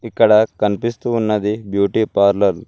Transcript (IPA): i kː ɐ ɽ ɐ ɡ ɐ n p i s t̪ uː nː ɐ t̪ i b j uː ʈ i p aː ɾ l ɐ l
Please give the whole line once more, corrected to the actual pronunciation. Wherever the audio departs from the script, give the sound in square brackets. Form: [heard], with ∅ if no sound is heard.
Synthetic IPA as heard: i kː ɐ ɽ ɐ [k] ɐ n p i s t̪ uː nː ɐ [d̪] i b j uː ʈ i p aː ɾ l ɐ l